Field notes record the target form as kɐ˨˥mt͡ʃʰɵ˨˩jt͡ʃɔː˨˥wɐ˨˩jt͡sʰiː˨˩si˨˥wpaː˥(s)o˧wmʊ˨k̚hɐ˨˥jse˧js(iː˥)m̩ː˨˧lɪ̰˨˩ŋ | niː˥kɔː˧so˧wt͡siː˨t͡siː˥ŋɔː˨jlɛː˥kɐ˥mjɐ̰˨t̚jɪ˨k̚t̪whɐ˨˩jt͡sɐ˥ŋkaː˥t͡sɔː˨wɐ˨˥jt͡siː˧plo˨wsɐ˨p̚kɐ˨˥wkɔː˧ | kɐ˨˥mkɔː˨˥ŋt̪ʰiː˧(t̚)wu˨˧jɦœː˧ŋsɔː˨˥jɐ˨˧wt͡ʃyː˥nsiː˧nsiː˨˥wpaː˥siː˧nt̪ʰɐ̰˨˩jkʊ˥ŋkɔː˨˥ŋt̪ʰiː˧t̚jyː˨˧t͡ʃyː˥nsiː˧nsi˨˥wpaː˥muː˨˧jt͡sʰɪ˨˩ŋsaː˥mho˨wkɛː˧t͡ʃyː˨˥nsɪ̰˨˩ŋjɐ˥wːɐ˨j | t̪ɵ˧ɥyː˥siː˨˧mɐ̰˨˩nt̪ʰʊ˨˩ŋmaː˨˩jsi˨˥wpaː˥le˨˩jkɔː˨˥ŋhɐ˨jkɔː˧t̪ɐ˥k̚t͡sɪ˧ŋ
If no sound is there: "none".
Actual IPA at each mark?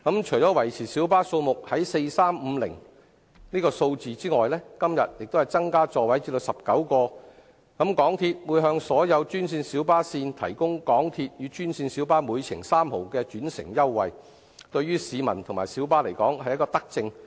s, aː˥, t̚

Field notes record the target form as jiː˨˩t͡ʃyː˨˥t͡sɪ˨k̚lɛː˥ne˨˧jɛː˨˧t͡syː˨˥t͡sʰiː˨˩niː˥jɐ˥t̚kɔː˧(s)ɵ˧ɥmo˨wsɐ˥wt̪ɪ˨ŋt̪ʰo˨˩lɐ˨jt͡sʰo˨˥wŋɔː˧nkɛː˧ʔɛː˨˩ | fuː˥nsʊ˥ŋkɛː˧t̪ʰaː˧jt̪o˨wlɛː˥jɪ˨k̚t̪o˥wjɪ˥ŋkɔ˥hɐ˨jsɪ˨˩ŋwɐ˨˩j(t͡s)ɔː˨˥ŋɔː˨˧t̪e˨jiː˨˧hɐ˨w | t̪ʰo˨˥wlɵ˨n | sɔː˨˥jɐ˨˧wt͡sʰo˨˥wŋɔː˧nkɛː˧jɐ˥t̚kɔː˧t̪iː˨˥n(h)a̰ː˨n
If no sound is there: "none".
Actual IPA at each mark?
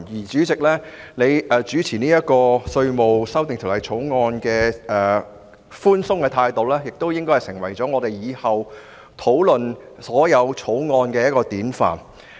s, t͡s, f

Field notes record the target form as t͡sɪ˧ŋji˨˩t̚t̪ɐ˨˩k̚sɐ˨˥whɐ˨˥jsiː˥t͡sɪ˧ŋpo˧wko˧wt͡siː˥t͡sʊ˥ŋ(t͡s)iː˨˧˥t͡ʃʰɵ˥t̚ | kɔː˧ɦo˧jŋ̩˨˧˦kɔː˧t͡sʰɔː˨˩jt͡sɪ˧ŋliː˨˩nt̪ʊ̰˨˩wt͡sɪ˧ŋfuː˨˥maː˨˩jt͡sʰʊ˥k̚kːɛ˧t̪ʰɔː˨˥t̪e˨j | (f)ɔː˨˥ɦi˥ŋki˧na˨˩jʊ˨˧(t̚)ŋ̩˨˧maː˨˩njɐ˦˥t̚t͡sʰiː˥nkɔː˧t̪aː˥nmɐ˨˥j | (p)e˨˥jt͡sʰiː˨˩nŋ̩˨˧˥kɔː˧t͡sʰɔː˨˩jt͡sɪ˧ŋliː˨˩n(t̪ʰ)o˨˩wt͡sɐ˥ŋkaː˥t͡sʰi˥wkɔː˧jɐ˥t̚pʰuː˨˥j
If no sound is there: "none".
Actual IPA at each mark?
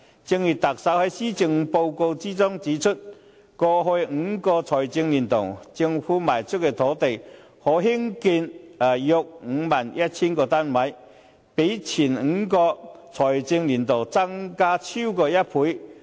t͡s, h, k̚, p, t̪

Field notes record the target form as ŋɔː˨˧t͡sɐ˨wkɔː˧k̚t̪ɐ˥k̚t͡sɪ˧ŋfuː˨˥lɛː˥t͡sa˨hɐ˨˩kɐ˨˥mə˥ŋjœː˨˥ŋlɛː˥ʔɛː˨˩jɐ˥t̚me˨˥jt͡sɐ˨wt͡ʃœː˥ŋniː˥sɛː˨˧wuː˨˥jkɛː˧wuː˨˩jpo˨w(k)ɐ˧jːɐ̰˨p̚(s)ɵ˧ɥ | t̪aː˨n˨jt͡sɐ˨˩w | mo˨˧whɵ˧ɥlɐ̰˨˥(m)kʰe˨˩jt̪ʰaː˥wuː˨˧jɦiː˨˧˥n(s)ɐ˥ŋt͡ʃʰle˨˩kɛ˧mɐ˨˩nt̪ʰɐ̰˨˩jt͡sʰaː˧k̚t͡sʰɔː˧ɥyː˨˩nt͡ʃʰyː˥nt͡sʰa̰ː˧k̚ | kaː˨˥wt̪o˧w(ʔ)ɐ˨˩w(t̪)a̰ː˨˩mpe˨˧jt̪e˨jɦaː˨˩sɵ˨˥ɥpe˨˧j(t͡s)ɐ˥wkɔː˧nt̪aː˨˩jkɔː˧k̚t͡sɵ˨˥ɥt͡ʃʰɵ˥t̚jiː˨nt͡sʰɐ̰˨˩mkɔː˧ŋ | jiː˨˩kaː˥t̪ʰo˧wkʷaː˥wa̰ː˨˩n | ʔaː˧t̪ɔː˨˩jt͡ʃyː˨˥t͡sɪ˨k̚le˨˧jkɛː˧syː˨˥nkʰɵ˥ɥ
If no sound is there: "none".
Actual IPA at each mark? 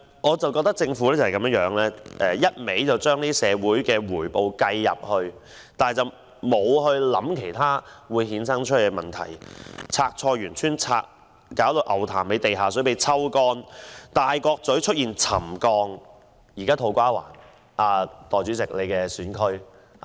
k, h, m, s, ʔ, t̪ʰ, t͡sʰ

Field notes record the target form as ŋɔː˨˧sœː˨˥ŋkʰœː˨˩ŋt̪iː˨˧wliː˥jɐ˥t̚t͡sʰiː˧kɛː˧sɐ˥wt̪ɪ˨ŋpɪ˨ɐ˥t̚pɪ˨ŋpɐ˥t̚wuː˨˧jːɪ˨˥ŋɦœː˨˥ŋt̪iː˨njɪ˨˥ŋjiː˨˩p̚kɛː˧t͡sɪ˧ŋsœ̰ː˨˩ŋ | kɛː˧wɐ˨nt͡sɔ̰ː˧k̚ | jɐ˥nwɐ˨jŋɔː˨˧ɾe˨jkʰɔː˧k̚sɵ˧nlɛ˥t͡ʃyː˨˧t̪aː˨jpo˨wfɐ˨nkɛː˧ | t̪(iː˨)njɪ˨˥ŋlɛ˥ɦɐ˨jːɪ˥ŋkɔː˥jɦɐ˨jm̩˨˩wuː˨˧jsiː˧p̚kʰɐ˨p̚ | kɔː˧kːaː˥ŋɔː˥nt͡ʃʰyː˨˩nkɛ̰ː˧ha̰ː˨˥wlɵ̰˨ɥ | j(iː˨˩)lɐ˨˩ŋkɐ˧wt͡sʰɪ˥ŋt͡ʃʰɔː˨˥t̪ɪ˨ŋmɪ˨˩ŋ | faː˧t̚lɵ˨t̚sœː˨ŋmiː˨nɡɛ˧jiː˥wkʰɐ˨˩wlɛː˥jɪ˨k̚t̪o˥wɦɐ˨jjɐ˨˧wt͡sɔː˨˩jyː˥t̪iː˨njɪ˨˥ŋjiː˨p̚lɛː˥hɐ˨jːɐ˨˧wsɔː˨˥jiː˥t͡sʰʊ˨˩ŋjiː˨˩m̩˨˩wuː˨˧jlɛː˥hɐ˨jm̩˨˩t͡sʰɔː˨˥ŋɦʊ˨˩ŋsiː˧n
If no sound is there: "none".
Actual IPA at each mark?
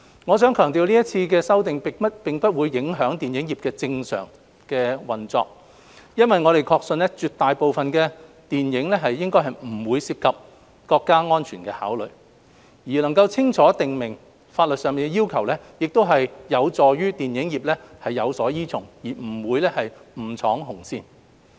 iː˨, iː˨˩

